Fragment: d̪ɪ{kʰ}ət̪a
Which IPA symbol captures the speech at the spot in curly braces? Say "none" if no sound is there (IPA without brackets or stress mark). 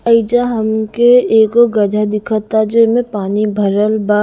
kʰ